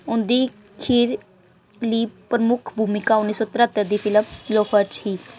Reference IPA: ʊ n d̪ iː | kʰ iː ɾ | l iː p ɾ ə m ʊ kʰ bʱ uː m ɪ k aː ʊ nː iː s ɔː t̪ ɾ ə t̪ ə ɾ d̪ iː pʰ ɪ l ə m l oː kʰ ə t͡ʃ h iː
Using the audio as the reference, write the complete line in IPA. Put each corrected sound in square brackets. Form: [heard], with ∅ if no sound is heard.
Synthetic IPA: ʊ n d̪ iː | kʰ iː ɾ | l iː p ɾ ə m ʊ kʰ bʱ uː m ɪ k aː ʊ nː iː s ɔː t̪ ɾ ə t̪ ə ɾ d̪ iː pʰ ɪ l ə m l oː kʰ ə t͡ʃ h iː